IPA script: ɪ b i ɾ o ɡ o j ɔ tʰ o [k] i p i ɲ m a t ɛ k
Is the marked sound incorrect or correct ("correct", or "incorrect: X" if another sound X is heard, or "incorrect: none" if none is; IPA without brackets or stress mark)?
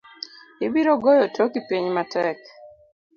correct